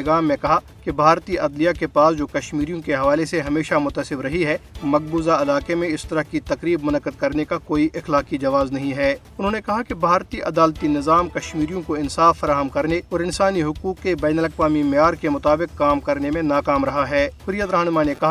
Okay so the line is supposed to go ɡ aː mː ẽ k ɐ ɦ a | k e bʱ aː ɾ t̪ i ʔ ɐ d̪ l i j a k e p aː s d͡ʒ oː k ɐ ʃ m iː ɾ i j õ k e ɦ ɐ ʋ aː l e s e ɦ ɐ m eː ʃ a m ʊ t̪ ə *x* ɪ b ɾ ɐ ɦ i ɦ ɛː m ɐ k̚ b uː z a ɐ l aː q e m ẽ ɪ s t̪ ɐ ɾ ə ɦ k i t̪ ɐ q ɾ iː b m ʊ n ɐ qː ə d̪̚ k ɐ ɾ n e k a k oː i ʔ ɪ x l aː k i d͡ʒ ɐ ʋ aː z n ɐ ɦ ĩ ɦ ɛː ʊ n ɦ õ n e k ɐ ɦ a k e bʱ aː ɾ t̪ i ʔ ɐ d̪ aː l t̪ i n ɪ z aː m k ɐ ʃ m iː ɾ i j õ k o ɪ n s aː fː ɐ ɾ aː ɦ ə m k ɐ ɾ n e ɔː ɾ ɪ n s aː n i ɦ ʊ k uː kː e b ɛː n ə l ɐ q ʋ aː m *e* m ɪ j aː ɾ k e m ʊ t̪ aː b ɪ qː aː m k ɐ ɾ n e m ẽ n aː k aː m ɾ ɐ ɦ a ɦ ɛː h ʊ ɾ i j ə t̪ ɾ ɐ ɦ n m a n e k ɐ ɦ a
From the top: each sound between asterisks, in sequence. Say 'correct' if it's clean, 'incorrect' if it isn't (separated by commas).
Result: incorrect, incorrect